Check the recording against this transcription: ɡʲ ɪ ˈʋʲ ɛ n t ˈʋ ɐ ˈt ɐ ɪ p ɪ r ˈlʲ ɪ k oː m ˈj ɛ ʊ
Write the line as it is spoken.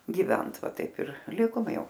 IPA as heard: ɡʲ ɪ ˈʋʲ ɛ n t ˈʋ ɐ ˈt ɐ ɪ p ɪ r ˈlʲ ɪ k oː m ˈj ɛ ʊ